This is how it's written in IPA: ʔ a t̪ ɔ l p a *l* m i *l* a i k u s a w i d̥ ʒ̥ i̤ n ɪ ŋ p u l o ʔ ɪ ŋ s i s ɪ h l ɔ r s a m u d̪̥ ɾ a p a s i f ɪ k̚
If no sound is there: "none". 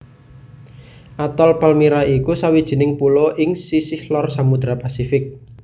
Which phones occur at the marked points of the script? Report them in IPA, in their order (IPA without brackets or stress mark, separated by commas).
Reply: l, ɾ